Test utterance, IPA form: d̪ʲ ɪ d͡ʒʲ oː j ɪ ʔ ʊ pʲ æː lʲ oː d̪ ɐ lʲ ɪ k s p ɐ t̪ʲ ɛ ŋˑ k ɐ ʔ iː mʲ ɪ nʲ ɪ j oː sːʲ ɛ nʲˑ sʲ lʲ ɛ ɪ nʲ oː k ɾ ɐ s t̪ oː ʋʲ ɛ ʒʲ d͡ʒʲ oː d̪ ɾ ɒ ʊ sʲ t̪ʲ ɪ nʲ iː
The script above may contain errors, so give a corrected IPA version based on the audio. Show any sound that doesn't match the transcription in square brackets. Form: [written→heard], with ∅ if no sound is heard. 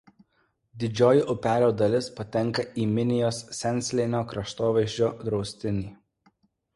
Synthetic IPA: d̪ʲ ɪ d͡ʒʲ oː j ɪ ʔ ʊ pʲ æː lʲ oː d̪ ɐ lʲ ɪ [k→∅] s p ɐ t̪ʲ ɛ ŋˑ k ɐ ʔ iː mʲ ɪ nʲ ɪ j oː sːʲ ɛ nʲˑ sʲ lʲ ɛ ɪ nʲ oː k ɾ ɐ [s→ʃ] t̪ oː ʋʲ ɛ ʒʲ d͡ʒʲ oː d̪ ɾ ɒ ʊ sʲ t̪ʲ ɪ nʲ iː